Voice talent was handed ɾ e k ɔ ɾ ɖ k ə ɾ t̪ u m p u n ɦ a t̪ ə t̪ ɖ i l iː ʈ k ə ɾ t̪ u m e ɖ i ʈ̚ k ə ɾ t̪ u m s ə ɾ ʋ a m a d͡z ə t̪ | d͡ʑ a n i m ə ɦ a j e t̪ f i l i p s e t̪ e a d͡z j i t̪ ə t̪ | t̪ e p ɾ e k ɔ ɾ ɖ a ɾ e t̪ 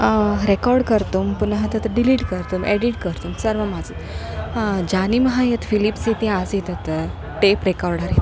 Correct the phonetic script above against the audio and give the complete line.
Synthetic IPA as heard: ɾ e k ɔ ɾ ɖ k ə ɾ t̪ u m p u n ɦ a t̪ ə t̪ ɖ i l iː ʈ k ə ɾ t̪ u m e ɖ i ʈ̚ k ə ɾ t̪ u m s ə ɾ ʋ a m a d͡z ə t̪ | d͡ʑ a n i m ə ɦ a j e t̪ f i l i p s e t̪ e a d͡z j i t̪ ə t̪ | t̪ e p ɾ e k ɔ ɾ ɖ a ɾ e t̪